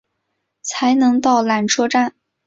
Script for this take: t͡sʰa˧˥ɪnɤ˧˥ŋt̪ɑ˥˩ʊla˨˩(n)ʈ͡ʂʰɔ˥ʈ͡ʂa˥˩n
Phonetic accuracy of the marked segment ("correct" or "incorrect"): correct